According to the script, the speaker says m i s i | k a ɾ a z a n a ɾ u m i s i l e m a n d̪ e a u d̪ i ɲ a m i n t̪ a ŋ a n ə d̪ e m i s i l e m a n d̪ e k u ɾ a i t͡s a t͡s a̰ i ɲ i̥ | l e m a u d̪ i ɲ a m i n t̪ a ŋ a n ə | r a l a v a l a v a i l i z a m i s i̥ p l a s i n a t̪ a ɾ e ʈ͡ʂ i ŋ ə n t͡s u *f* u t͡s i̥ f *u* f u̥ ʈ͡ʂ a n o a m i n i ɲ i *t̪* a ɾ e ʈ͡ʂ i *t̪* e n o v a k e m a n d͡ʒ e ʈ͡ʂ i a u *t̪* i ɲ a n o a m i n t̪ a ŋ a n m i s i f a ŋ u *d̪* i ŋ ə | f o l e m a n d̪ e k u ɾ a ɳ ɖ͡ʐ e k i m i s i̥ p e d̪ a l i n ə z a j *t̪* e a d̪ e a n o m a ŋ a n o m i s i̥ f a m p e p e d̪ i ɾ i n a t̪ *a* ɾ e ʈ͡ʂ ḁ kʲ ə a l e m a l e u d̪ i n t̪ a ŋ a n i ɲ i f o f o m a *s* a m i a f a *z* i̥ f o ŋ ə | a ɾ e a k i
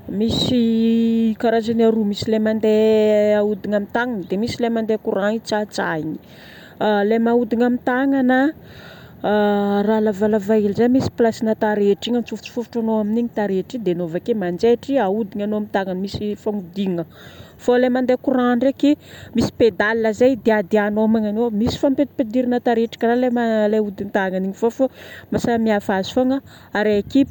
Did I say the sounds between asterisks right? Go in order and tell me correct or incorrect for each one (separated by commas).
correct, correct, correct, incorrect, incorrect, correct, incorrect, correct, correct, correct